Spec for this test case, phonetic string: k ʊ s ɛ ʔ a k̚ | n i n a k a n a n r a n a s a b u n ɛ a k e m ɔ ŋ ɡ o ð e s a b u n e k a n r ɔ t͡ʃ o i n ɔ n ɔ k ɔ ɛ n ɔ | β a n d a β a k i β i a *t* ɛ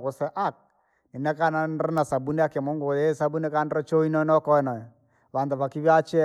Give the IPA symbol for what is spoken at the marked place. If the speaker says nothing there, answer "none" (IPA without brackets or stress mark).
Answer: t͡ʃ